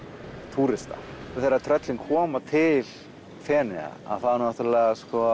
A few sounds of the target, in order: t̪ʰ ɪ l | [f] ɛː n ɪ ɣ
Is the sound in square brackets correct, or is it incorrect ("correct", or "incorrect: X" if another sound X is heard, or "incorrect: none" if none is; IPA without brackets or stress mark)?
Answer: correct